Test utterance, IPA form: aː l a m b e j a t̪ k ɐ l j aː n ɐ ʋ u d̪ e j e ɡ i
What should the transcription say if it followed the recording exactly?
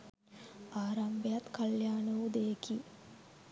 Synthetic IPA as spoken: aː ɾ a m b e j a t̪ k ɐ l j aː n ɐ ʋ u d̪ e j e k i